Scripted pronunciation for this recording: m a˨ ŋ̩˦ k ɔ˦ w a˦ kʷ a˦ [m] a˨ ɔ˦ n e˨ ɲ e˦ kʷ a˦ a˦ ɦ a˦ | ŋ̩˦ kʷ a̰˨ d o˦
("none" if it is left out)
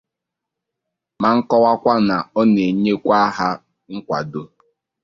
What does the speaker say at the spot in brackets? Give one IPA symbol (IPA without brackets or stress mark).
n